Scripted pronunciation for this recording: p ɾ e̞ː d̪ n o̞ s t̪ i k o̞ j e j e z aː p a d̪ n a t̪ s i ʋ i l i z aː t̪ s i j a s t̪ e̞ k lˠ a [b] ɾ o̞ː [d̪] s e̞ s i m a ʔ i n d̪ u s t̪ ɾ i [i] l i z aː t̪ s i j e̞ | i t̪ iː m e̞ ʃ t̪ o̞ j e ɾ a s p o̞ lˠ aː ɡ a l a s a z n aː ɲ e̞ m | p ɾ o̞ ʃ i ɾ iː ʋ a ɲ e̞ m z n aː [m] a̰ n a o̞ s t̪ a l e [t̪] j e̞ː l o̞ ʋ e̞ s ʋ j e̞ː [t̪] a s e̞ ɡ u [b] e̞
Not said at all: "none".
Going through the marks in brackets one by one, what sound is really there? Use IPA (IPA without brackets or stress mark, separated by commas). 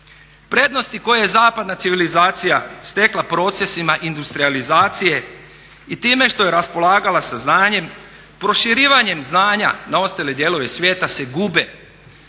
p, t̪, a, ɲ, d̪, t̪, b